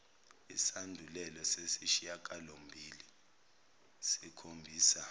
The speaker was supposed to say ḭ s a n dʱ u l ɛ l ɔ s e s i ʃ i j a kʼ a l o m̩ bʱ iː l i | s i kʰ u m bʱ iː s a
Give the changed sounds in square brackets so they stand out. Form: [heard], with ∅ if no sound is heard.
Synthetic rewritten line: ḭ s a n dʱ u l ɛ l ɔ s e s i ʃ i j a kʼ a l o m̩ bʱ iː l i | s i kʰ [o] m bʱ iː s a

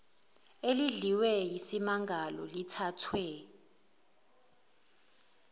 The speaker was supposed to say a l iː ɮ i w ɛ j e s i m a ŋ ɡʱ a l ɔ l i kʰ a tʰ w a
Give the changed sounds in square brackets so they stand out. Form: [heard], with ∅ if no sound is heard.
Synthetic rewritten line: [e] l [i] ɮ i w ɛ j [i] s i m a ŋ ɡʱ a l ɔ l i [tʰ] a tʰ w [ɛ]

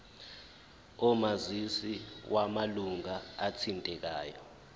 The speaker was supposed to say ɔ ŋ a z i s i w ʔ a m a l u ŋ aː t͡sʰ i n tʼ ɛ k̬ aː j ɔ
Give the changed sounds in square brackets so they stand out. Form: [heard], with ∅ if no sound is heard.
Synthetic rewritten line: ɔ [m] a z i s i w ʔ a m a l u ŋ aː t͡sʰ i n tʼ ɛ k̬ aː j ɔ

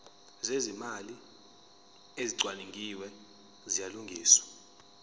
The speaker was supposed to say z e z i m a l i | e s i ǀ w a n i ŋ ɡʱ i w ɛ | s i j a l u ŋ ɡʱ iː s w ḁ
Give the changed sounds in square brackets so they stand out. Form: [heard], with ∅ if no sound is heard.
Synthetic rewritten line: z e z i m a l i | e [z] i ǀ w a n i ŋ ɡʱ i w ɛ | [z] i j a l u ŋ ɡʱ iː s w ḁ

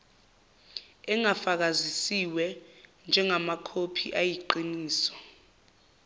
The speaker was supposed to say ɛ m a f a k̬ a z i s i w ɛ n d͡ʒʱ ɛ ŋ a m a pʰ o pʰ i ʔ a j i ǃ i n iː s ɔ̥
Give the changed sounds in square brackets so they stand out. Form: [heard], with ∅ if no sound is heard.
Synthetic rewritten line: ɛ [ŋ] a f a k̬ a z i s i w ɛ n d͡ʒʱ ɛ ŋ a m a [kʰ] o pʰ i ʔ a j i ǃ i n iː s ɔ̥

